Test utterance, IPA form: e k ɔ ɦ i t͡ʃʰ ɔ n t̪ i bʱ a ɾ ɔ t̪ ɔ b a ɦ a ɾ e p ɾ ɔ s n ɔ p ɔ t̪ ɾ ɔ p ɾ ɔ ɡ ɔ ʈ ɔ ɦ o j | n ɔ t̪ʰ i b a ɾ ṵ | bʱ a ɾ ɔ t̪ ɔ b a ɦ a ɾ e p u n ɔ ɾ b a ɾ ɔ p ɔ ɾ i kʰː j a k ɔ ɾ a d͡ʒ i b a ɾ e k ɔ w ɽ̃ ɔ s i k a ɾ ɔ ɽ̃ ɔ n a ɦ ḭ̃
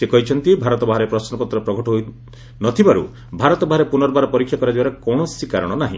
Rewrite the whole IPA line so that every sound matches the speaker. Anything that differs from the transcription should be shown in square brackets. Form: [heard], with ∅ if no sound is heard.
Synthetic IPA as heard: e k ɔ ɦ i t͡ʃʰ ɔ n t̪ i bʱ a ɾ ɔ t̪ ɔ b a ɦ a ɾ e p ɾ ɔ s n ɔ p ɔ t̪ ɾ ɔ p ɾ ɔ ɡ ɔ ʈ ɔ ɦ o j | n ɔ t̪ʰ i b a ɾ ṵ | bʱ a ɾ ɔ t̪ ɔ b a ɦ a ɾ e p u n ɔ ɾ b a ɾ ɔ p ɔ ɾ i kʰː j a k ɔ ɾ a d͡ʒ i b a ɾ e k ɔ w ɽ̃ ɔ s i k a ɾ ɔ ɽ̃ ɔ n a ɦ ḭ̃